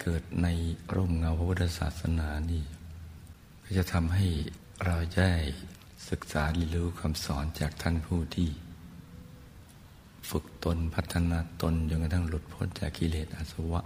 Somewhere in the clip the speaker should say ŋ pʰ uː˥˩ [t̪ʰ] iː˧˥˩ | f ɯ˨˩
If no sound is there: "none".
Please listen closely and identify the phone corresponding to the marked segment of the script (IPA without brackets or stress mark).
t̪ʰ